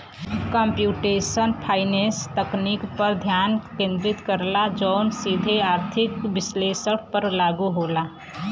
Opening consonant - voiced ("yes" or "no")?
no